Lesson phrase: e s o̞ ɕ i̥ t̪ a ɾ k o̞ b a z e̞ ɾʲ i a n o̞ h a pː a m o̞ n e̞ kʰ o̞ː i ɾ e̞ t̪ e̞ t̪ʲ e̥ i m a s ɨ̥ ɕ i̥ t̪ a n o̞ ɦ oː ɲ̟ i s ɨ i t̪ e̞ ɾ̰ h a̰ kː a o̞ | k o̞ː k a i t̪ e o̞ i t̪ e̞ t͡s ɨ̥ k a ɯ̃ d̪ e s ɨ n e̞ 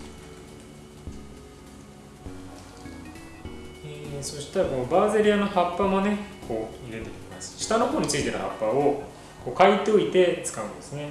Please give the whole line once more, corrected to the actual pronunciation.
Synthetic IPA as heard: e s o̞ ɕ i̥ t̪ a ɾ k o̞ b a z e̞ ɾʲ i a n o̞ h a pː a m o̞ n e̞ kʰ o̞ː i ɾ e̞ t̪ e̞ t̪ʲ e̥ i m a s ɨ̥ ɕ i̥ t̪ a n o̞ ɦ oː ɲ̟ i t͡s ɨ i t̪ e̞ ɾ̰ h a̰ pː a o̞ | k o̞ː k a i t̪ e o̞ i t̪ e̞ t͡s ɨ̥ k a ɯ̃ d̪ e s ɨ n e̞

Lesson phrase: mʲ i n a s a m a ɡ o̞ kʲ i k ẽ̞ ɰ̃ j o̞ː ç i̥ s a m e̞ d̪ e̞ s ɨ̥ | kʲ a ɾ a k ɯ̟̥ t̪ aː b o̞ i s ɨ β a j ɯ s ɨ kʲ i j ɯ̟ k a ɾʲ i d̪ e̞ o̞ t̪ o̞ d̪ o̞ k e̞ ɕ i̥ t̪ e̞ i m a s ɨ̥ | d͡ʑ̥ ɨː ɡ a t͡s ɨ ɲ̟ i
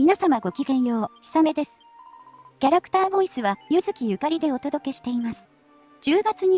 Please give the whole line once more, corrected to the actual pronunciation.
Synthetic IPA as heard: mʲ i n a s a m a ɡ o̞ kʲ i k ẽ̞ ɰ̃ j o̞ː ç i̥ s a m e̞ d̪ e̞ s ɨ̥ | kʲ a ɾ a k ɯ̟̥ t̪ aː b o̞ i s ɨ β a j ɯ z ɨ kʲ i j ɯ̟ k a ɾʲ i d̪ e̞ o̞ t̪ o̞ d̪ o̞ k e̞ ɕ i̥ t̪ e̞ i m a s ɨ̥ | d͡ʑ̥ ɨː ɡ a t͡s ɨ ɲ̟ i

